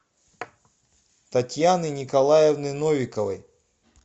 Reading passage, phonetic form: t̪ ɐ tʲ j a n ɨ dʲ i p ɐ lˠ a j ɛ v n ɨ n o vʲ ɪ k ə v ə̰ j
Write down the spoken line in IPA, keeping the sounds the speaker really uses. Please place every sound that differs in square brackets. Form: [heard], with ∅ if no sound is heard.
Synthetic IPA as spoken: t̪ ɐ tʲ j a n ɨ [nʲ] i [k] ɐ lˠ a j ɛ v n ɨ n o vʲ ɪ k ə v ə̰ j

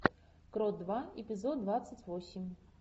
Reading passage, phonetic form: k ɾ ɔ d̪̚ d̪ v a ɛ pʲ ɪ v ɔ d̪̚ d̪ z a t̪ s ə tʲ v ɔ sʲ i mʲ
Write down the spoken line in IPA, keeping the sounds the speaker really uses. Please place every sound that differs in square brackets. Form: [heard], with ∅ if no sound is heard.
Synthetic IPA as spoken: k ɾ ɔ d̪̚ d̪ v a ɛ pʲ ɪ [z] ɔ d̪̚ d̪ [v] a t̪ s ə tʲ v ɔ sʲ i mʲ

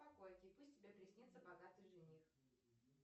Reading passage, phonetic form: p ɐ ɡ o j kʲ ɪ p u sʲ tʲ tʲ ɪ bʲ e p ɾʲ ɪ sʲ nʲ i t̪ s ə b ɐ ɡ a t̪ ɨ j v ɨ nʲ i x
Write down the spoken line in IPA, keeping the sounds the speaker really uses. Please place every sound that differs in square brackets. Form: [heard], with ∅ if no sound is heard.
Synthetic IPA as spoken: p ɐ [k] o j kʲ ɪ p u sʲ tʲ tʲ ɪ bʲ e p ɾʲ ɪ sʲ nʲ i t̪ s ə b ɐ ɡ a t̪ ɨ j [ʐ] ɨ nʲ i x

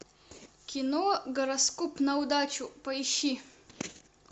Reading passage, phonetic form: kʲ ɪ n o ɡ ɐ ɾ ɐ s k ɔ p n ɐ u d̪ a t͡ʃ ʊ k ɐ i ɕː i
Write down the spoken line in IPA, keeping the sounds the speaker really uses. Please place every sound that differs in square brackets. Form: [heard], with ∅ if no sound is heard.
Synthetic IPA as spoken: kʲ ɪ n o ɡ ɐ ɾ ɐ s k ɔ p n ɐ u d̪ a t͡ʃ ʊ [p] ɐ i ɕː i

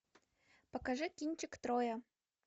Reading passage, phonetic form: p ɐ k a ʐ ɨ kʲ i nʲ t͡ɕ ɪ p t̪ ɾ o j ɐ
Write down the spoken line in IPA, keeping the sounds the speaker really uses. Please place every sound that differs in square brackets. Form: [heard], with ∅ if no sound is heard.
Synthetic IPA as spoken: p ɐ k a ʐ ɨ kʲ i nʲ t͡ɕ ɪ [k] t̪ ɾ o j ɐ

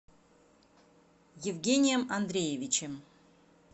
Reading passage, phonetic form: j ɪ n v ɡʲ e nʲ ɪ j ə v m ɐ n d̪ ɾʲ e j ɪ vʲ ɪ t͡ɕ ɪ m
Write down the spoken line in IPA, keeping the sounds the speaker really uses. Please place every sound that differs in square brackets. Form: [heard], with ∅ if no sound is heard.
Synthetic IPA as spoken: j ɪ [∅] v ɡʲ e nʲ ɪ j ə [∅] m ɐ n d̪ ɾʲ e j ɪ vʲ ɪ t͡ɕ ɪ m

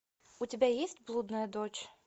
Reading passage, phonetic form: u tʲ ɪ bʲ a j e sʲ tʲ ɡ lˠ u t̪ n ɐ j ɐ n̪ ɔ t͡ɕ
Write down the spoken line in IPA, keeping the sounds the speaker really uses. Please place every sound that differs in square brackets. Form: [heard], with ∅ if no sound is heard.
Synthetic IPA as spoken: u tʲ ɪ bʲ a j e sʲ tʲ [b] lˠ u [d̪] n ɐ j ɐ [d̪] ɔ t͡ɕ

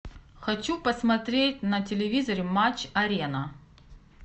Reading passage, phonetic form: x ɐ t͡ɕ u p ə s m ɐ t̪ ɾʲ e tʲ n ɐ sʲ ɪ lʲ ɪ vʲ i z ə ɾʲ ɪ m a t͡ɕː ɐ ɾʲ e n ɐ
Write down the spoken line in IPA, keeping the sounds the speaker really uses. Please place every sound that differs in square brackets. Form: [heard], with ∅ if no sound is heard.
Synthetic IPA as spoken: x ɐ t͡ɕ u p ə s m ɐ t̪ ɾʲ e tʲ n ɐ [tʲ] ɪ lʲ ɪ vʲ i z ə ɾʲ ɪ m a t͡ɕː ɐ ɾʲ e n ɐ

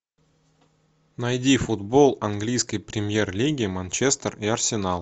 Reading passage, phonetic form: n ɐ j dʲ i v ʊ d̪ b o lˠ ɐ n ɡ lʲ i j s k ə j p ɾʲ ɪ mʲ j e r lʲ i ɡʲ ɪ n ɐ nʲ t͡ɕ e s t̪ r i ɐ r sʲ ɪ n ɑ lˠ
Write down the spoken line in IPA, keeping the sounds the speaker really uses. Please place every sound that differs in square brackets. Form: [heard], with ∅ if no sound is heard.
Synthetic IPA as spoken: n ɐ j dʲ i [f] ʊ d̪ b o lˠ ɐ n ɡ lʲ i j s k ə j p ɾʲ ɪ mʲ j e r lʲ i ɡʲ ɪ [m] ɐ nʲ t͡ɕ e s t̪ r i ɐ r sʲ ɪ n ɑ lˠ

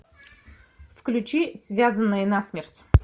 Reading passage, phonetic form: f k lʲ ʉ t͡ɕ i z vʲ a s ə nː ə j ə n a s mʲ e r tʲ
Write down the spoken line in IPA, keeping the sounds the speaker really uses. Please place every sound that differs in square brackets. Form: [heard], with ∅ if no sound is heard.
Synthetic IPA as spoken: f k lʲ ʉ t͡ɕ i [s] vʲ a [z] ə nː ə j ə n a s mʲ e r tʲ

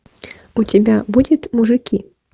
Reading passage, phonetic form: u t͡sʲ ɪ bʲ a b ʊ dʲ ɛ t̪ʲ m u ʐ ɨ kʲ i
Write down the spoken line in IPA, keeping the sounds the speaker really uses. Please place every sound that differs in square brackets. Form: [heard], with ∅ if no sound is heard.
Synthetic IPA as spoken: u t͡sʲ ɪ bʲ a b [u] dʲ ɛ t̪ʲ m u ʐ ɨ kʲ i

